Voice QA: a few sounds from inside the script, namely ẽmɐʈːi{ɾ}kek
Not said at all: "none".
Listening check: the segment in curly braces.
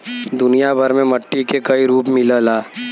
none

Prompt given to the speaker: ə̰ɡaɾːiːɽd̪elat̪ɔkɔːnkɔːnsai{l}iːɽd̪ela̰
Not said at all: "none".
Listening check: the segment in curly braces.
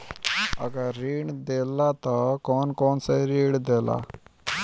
ɾ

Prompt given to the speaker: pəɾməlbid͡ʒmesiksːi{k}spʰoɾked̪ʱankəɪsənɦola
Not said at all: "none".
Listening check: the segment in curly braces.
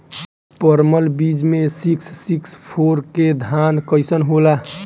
k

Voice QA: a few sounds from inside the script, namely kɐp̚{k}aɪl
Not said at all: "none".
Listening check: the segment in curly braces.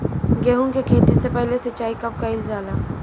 k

